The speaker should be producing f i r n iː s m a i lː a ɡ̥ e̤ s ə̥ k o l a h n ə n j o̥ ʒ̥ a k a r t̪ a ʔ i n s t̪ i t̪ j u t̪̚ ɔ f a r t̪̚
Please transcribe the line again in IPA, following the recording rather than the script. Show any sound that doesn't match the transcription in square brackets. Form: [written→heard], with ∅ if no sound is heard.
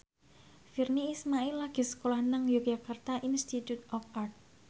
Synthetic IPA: f i r n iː s m a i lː a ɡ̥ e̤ s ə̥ k o l a h n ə [n→ŋ] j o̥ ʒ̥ a k a r t̪ a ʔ i n s t̪ i t̪ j u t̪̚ ɔ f a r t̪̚

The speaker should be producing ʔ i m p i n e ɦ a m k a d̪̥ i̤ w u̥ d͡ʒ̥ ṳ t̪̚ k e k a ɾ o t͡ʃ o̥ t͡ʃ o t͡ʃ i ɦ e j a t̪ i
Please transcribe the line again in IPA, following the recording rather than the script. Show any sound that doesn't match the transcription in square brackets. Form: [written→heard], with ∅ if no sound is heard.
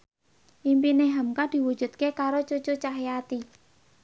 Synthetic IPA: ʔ i m p i n e ɦ a m k a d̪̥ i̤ w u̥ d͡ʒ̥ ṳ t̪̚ k e k a ɾ o t͡ʃ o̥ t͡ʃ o t͡ʃ [i→a] ɦ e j a t̪ i

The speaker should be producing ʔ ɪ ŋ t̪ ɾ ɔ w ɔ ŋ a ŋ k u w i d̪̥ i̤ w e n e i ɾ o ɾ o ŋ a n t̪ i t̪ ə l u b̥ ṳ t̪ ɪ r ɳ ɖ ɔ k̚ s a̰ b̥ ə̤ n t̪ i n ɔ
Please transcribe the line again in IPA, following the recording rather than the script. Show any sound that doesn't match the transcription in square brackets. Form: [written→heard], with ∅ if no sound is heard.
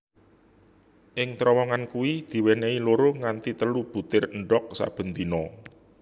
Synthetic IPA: ʔ ɪ ŋ t̪ ɾ ɔ w ɔ ŋ a [ŋ→n] k u w i d̪̥ i̤ w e n e i [ɾ→l] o ɾ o ŋ a n t̪ i t̪ ə l u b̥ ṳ t̪ ɪ r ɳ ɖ ɔ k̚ s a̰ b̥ ə̤ n t̪ i n ɔ

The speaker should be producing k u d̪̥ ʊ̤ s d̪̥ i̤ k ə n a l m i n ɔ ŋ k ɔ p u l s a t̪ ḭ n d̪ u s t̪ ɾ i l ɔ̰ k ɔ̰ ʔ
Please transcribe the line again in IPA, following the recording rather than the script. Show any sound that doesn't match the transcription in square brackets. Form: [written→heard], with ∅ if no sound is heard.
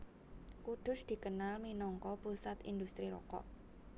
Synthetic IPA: k u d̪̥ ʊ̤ s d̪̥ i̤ k ə n a l m i n ɔ ŋ k ɔ p u [l→∅] s a t̪ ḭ n d̪ u s t̪ ɾ i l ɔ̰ k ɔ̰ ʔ

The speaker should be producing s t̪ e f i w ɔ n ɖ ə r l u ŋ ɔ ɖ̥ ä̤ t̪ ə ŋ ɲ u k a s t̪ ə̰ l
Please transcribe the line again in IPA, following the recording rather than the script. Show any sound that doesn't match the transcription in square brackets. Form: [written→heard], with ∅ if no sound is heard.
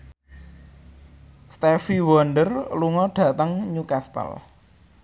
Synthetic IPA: s t̪ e f i w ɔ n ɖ ə r l u ŋ ɔ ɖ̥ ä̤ t̪ ə ŋ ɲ u k a s t̪ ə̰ l

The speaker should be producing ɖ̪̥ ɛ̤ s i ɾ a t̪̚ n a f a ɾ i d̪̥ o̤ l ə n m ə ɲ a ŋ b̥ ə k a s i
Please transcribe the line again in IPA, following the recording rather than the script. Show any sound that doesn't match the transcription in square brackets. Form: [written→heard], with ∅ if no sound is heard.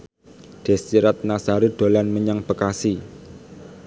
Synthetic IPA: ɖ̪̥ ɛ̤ s i ɾ a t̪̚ n a [f→s] a ɾ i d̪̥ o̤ l [ə→a] n m ə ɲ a ŋ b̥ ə k a s i

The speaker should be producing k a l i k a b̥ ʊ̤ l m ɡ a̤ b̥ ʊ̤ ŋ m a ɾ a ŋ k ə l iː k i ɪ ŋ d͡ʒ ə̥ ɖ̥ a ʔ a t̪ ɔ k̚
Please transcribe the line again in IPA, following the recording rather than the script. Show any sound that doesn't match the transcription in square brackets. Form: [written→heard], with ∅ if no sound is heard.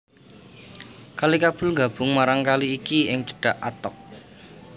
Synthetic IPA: k a l i k a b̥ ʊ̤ l [m→ŋ] ɡ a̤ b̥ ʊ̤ ŋ m a ɾ a ŋ k [ə→a] l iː k i ɪ ŋ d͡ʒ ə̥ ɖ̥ a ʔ a t̪ ɔ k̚

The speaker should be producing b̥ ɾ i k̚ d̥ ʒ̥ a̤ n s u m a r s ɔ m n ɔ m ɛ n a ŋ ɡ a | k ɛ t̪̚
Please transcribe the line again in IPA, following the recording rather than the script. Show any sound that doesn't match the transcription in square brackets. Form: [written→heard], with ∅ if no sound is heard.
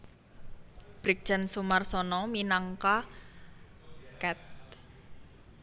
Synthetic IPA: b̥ ɾ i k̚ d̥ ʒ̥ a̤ n s u m a r s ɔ [m→∅] n ɔ m [ɛ→i] n a ŋ [ɡ→k] a | k ɛ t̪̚

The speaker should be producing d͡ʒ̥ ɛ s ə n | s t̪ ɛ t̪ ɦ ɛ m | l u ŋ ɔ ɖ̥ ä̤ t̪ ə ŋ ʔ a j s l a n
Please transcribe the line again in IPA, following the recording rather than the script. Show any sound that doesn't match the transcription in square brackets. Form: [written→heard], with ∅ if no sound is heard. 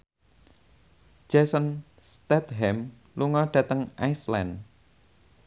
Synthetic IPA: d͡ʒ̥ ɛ s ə n | s t̪ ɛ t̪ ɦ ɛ m | l u ŋ ɔ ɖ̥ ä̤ t̪ ə ŋ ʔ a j s l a n

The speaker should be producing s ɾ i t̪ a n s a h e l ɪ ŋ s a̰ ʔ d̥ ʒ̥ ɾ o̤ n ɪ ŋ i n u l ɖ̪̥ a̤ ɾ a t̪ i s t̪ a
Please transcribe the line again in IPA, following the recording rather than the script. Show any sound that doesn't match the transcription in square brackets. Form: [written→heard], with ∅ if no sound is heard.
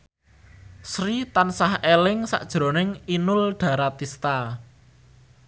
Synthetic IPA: s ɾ i t̪ a n s a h e l ɪ ŋ s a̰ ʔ d̥ ʒ̥ ɾ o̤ n ɪ ŋ i n [u→ʊ] l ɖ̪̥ a̤ ɾ a t̪ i s t̪ a

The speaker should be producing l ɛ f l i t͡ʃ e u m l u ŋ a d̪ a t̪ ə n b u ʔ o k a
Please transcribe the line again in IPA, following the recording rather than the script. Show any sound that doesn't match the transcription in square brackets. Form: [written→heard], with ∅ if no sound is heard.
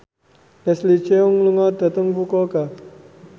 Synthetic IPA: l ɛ [f→s] l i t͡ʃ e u [m→ŋ] l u ŋ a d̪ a t̪ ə [n→ŋ] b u [ʔ→k] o k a

